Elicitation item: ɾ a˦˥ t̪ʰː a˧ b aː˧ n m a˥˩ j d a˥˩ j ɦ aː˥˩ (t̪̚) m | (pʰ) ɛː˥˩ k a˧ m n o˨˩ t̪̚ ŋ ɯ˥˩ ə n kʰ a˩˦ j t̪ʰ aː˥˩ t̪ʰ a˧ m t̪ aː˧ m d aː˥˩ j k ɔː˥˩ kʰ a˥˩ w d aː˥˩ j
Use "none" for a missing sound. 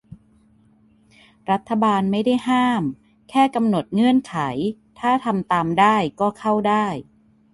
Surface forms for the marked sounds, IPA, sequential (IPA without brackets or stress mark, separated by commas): none, kʰ